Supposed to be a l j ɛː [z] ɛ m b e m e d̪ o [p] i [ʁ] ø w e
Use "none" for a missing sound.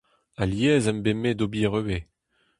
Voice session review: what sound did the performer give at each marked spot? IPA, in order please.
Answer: z, b, ʁ

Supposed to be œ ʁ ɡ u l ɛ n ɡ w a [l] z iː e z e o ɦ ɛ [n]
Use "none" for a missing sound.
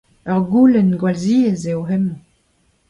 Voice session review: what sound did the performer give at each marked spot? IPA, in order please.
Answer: l, m

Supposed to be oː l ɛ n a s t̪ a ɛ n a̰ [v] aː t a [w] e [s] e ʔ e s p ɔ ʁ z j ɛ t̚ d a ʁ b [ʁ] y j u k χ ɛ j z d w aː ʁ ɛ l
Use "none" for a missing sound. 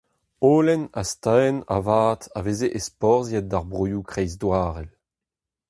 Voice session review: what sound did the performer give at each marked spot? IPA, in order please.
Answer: v, v, z, ʁ

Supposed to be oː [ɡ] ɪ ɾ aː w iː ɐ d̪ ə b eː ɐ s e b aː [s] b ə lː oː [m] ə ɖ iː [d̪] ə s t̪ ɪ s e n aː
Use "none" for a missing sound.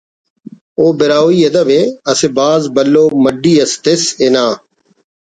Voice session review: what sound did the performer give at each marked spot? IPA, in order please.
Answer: b, z, m, none

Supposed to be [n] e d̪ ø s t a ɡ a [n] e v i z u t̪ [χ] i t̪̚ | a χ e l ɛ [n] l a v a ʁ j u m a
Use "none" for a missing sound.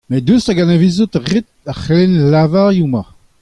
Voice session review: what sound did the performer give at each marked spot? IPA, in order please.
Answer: m, n, ʁ, n

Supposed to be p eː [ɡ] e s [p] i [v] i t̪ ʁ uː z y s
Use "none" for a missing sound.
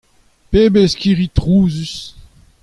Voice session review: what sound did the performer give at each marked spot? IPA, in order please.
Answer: b, k, ʁ

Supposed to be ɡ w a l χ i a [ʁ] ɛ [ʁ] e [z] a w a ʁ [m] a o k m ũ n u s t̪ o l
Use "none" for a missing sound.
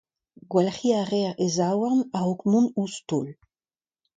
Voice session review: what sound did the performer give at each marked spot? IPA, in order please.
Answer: ʁ, ʁ, z, n

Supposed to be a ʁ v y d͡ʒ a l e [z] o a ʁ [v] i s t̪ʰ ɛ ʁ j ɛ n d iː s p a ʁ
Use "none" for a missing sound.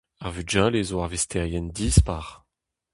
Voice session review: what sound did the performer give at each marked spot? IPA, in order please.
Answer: z, v

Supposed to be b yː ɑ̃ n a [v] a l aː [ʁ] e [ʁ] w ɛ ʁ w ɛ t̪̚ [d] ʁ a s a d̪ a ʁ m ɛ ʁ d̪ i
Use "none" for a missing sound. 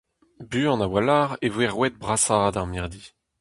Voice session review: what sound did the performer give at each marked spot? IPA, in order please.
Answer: w, ʁ, v, b

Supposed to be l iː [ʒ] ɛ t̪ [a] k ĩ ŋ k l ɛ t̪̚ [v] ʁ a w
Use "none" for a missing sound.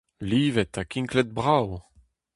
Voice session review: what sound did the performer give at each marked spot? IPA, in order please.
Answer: v, a, b

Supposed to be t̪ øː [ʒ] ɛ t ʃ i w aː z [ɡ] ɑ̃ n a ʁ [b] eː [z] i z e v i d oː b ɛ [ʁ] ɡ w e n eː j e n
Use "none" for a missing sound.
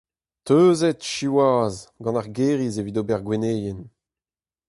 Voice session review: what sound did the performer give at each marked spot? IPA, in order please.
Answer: z, ɡ, ɡ, ʁ, ʁ

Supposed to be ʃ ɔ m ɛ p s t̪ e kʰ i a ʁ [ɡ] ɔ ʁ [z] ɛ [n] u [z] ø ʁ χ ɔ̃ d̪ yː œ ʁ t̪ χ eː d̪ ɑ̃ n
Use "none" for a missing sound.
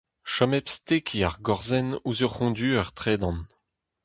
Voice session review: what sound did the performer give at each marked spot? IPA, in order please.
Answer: ɡ, z, n, z

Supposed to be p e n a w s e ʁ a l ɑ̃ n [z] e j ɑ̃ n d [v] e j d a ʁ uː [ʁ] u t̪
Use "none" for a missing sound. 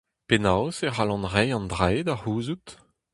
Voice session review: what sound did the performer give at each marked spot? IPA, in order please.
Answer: ʁ, ʁ, z

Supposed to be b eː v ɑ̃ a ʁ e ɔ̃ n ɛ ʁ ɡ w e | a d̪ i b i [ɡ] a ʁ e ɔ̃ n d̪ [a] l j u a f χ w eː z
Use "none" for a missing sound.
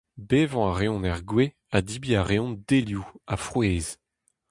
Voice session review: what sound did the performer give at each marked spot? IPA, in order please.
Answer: none, e

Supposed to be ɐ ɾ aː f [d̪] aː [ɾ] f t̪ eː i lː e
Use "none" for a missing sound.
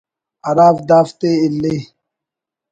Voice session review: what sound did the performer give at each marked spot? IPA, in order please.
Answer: d̪, none

